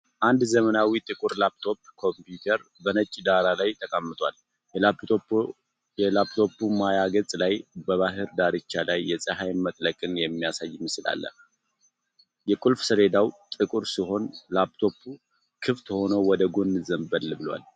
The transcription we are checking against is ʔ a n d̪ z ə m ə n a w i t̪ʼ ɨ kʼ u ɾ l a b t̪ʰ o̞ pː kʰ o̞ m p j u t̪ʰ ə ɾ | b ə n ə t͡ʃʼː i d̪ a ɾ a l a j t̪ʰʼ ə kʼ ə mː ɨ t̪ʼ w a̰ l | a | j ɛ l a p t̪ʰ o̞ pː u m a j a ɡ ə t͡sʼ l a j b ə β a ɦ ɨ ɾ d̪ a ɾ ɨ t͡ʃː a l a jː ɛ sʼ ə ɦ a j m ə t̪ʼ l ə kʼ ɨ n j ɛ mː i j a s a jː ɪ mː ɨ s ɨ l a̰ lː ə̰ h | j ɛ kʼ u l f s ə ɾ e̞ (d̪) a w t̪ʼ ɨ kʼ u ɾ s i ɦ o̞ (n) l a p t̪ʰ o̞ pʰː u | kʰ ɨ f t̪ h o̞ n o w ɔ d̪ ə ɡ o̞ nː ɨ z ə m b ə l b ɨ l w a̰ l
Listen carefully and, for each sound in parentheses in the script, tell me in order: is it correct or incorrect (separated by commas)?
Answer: correct, correct